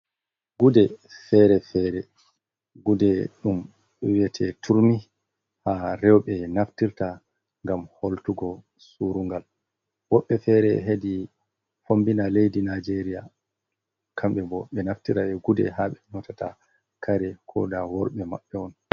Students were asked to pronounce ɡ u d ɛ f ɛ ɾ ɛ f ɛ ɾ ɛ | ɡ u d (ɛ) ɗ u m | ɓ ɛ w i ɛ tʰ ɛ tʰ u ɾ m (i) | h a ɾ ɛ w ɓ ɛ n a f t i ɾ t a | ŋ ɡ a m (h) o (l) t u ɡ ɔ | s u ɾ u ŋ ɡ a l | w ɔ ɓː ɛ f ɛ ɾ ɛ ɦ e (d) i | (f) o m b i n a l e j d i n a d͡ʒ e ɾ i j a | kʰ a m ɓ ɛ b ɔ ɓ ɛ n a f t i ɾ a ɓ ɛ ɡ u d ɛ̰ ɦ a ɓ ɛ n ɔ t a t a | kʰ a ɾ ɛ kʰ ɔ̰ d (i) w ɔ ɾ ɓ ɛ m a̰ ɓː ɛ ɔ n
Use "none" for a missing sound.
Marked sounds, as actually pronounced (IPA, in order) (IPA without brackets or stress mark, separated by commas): ɛ, i, h, l, d, f, a